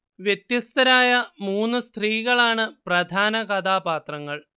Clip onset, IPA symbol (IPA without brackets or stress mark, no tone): ʋ